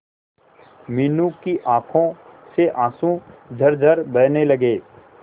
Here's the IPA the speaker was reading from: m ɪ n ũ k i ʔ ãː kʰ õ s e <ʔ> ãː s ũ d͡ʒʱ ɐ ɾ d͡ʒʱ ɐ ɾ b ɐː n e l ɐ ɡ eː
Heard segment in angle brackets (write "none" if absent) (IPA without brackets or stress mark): ʔ